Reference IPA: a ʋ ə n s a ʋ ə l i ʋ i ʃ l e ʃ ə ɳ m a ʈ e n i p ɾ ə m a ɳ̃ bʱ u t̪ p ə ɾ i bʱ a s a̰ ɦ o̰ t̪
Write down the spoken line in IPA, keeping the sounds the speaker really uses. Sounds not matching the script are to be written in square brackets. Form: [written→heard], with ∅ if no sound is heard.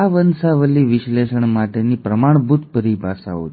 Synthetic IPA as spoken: a ʋ ə n s a ʋ ə l i ʋ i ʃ l e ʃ ə ɳ m a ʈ e n i p ɾ ə m a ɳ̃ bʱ u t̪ p ə ɾ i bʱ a s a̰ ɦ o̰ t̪